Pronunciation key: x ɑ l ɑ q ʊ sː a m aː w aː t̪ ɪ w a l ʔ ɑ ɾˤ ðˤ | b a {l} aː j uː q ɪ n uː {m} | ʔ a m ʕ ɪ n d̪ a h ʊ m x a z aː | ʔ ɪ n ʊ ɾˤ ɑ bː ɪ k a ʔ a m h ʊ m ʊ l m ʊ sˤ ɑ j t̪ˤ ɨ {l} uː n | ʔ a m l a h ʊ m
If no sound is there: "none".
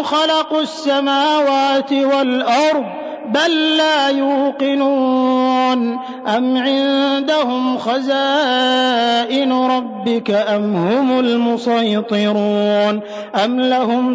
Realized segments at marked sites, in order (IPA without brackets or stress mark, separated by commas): lː, n, ɾ